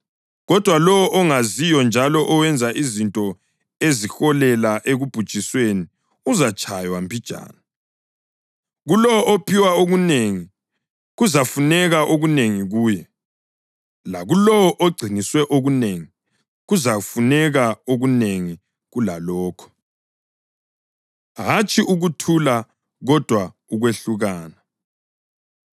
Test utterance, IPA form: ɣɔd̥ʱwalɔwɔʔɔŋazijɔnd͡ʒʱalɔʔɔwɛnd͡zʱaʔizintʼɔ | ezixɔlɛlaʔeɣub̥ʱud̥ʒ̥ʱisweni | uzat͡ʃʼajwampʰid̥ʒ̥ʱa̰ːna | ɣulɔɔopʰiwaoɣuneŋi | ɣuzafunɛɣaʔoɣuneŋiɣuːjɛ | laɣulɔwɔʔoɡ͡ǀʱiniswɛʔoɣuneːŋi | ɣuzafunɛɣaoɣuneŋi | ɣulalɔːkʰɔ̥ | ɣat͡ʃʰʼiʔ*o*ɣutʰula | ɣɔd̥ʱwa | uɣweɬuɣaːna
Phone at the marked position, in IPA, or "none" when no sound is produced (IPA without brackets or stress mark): u